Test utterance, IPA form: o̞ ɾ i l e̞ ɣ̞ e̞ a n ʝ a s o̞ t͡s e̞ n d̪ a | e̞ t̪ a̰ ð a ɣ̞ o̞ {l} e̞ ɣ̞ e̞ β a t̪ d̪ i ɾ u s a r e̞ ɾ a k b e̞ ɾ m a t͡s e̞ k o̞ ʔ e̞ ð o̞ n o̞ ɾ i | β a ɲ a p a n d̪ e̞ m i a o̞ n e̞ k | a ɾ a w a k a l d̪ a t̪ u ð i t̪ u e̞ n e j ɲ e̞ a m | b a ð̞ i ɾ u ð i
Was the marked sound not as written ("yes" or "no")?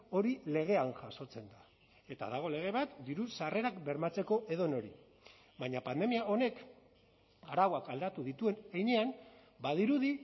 no